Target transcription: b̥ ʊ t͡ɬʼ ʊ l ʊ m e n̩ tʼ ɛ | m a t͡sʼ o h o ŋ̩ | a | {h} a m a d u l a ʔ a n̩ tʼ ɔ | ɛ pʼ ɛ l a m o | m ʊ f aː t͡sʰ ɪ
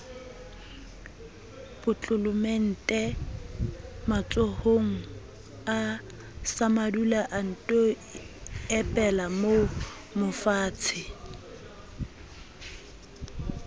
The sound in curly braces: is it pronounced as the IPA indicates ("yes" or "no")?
no